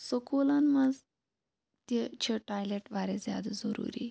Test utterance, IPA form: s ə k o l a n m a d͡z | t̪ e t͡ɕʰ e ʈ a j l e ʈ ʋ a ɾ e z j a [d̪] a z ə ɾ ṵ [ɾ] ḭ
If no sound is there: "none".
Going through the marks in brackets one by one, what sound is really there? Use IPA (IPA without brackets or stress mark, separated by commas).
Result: d̪, ɾ